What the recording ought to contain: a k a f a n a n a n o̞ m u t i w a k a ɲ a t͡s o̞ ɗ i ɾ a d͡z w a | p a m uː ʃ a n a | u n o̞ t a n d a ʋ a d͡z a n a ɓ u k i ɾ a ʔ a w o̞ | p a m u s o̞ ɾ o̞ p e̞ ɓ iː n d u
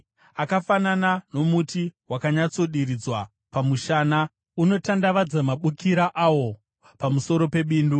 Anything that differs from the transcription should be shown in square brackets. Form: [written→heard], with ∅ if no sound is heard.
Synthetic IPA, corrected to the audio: a k a f a n a n a n o̞ m u t i w a k a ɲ a t͡s o̞ ɗ i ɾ [a→i] d͡z w a | p a m [uː→u] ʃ a n a | u n o̞ t a n d a ʋ a d͡z a [n→m] a ɓ u k i ɾ a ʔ a w o̞ | p a m u s o̞ ɾ o̞ p e̞ ɓ iː n d u